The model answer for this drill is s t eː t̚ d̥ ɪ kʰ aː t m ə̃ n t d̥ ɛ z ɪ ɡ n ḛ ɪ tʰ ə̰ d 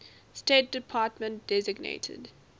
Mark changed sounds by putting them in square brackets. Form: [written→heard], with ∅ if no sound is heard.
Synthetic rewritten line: s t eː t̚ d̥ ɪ [kʰ→pʰ] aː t m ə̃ n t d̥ ɛ z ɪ ɡ n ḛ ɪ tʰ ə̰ d